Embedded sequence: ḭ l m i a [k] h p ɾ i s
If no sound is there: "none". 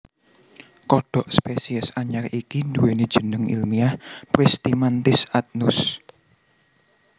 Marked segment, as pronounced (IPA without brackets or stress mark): none